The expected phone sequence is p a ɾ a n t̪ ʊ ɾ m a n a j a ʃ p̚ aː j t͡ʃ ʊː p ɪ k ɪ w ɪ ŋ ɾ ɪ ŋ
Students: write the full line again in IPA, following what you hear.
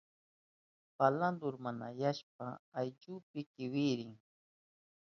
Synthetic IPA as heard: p a l a n d̪ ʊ ɾ m a n a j a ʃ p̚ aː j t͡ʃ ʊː p ɪ k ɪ w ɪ ɾ ɪ ŋ